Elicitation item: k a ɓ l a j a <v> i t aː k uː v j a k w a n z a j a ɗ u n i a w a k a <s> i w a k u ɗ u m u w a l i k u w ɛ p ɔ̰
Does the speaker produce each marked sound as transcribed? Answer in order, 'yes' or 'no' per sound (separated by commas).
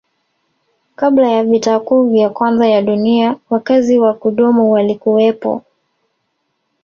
yes, no